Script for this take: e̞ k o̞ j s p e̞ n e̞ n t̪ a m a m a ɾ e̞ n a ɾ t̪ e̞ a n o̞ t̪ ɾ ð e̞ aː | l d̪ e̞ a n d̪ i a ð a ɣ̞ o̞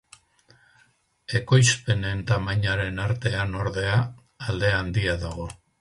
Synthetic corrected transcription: e̞ k o̞ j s p e̞ n e̞ n t̪ a m a ɲ a ɾ e̞ n a ɾ t̪ e̞ a n o̞ ɾ ð e̞ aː | l d̪ e̞ a n d̪ i a ð a ɣ̞ o̞